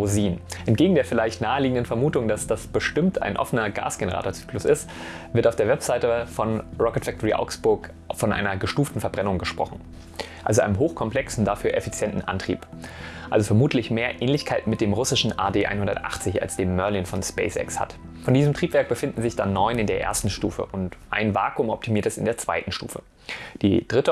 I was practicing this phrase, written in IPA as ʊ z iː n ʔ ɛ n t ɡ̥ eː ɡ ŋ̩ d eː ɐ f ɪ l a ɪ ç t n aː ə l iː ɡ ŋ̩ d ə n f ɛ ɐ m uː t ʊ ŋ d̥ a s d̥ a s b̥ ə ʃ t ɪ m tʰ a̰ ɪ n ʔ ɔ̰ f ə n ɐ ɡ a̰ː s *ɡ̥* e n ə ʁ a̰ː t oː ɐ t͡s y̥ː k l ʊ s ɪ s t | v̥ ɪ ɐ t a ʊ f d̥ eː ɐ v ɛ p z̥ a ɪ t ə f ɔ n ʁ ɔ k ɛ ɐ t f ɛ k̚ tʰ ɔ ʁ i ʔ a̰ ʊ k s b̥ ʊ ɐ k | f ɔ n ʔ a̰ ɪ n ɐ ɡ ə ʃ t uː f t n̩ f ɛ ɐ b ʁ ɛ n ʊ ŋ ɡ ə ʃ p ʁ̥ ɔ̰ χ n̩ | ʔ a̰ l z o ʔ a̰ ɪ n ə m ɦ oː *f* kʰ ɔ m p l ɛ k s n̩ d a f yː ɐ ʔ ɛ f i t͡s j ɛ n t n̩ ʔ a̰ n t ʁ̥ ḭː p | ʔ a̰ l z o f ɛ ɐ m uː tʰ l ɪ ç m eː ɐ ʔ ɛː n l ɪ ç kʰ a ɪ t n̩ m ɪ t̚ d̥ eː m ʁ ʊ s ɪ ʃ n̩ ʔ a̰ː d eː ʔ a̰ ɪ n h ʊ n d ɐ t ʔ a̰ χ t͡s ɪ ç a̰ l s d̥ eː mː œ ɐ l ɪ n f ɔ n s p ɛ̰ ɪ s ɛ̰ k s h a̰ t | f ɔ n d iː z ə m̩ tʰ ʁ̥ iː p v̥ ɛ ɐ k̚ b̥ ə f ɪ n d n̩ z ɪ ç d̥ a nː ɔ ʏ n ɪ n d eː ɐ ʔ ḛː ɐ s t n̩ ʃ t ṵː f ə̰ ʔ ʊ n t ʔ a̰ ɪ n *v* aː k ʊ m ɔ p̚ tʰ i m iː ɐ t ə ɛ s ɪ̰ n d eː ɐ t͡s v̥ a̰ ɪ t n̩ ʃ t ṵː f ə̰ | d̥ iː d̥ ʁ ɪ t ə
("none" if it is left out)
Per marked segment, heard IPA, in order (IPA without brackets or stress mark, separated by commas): ɡ̥, x, v